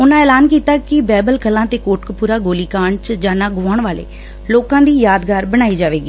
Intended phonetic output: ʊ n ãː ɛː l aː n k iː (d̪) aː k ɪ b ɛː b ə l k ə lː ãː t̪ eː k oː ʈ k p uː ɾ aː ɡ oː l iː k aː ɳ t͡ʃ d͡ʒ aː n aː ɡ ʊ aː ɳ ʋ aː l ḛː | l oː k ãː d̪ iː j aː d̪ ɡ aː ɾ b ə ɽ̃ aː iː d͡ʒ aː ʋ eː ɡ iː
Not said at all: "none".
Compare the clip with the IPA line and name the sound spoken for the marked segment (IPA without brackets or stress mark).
t̪